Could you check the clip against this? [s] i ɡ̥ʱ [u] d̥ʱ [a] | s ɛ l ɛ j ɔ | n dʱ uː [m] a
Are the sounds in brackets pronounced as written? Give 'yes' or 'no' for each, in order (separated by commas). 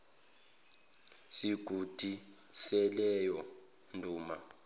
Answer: yes, yes, no, yes